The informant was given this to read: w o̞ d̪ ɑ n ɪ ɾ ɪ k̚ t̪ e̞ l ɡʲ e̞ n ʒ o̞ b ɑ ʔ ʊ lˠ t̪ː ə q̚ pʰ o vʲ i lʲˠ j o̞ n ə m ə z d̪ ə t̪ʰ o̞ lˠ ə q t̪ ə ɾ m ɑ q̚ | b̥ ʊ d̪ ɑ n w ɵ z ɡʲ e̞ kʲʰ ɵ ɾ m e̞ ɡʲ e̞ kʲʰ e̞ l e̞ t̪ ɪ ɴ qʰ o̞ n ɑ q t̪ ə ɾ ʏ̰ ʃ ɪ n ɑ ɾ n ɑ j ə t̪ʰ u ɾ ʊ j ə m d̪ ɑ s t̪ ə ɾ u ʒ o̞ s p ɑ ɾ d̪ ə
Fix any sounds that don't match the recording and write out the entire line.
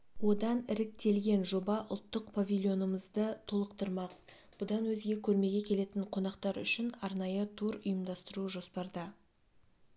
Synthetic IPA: w o̞ d̪ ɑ n ɪ ɾ ɪ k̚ t̪ e̞ l ɡʲ e̞ n ʒ o̞ b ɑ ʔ ʊ lˠ t̪ː ə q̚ pʰ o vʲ i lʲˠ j o̞ n ə m ə z d̪ ə t̪ʰ o̞ lˠ ə q t̪ ə ɾ m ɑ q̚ | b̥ ʊ d̪ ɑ n w ɵ z ɡʲ e̞ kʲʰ ɵ ɾ m e̞ ɡʲ e̞ kʲʰ e̞ l e̞ t̪ ɪ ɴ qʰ o̞ n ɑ q t̪ ɑ ɾ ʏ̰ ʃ ɪ n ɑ ɾ n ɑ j ə t̪ʰ u ɾ ʊ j ə m d̪ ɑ s t̪ ə ɾ u ʒ o̞ s p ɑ ɾ d̪ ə